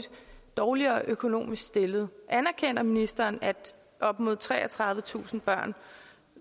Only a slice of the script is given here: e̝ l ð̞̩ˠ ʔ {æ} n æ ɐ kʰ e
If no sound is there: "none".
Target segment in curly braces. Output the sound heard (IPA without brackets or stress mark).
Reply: æ